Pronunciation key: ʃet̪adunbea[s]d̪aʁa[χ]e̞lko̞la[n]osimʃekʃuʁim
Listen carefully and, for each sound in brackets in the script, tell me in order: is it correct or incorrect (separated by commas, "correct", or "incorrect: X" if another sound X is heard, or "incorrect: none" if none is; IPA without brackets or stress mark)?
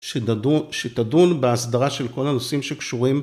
correct, incorrect: ʃ, correct